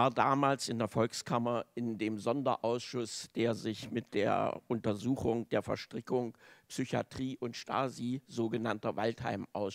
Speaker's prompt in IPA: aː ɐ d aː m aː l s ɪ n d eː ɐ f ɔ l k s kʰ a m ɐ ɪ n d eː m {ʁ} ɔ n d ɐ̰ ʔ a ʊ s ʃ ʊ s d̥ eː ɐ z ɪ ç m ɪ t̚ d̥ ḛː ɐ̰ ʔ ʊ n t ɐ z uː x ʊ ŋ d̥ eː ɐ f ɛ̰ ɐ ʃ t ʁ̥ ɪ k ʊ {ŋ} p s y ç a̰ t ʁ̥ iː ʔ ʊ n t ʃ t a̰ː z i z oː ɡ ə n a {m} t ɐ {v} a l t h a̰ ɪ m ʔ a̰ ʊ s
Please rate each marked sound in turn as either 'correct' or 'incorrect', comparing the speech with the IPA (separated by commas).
incorrect, correct, incorrect, correct